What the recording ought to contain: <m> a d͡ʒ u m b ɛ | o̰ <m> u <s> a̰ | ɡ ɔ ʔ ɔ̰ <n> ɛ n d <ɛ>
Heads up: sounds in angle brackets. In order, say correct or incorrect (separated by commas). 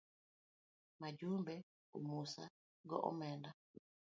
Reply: correct, correct, correct, incorrect, incorrect